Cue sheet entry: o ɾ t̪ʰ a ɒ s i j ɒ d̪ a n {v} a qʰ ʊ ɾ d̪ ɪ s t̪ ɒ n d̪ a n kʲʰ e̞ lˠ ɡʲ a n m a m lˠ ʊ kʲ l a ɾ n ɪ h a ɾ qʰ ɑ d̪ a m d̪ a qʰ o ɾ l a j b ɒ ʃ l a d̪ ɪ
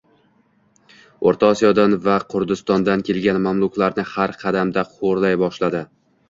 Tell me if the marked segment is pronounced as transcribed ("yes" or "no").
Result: yes